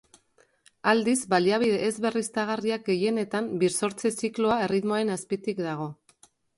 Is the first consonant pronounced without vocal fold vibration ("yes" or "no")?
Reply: no